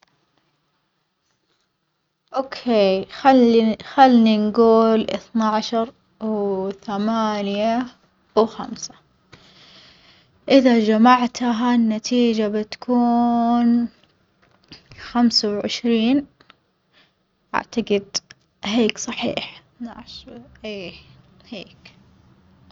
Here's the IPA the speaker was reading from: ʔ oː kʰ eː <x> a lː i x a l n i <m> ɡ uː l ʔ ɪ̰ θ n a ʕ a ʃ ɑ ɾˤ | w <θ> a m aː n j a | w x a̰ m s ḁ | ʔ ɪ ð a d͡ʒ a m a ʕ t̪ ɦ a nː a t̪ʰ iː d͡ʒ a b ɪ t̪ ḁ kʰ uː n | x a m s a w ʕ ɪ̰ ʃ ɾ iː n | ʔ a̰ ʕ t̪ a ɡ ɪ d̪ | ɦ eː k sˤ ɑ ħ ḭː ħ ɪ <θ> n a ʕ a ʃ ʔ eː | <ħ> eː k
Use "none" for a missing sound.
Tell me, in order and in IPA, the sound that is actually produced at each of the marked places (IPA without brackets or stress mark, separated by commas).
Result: x, n, θ, θ, h